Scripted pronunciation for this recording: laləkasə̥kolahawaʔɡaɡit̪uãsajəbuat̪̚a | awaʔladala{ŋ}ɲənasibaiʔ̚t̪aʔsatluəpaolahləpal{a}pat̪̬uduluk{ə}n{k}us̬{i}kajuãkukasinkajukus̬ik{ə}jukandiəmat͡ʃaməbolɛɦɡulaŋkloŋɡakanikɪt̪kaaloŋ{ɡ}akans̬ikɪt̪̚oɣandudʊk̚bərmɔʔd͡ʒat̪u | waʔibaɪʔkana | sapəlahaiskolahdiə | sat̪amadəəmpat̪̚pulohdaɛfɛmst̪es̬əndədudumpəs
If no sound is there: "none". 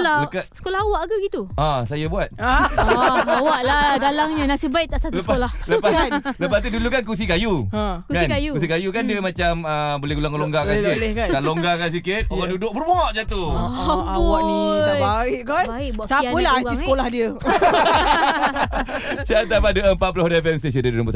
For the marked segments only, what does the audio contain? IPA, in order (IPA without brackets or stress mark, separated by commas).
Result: ŋ, ə, a, k, i, a, ɡ